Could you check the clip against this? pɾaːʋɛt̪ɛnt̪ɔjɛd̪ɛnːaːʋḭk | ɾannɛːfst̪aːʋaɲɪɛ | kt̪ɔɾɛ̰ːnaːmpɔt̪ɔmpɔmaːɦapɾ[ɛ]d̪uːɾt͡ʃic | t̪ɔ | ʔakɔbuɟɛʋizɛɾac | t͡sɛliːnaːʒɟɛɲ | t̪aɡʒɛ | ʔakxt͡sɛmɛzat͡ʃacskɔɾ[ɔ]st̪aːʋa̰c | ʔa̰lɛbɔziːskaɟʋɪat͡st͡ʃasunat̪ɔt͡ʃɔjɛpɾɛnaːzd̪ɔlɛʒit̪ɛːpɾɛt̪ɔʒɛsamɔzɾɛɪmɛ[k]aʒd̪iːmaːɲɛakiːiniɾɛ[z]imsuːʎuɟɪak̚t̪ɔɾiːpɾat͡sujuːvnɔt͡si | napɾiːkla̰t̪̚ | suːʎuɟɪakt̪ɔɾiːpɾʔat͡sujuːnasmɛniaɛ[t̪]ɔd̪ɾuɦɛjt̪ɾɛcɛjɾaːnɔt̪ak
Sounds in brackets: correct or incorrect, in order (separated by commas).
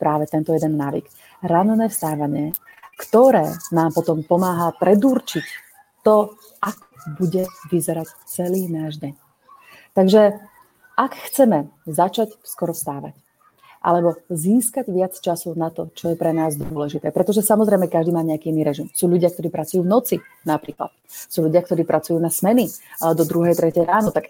correct, correct, correct, incorrect, incorrect